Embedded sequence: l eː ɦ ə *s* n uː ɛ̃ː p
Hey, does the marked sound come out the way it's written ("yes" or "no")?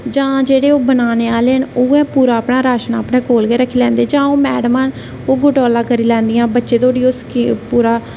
no